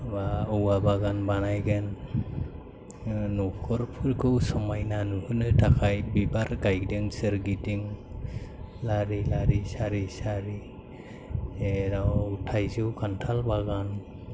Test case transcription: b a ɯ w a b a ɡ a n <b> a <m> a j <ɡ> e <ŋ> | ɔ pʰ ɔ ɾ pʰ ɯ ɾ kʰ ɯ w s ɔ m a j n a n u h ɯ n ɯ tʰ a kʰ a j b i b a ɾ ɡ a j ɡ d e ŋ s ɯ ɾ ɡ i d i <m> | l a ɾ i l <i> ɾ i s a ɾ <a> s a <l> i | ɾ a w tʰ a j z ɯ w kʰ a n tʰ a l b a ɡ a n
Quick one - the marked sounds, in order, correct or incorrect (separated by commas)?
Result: correct, incorrect, correct, incorrect, incorrect, incorrect, incorrect, incorrect